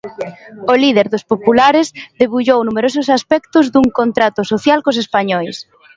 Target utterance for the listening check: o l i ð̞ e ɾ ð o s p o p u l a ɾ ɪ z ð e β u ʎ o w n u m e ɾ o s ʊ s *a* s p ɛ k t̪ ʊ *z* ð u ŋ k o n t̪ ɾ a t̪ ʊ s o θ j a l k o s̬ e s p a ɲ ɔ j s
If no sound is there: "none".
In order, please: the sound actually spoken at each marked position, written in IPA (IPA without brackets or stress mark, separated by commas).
a, z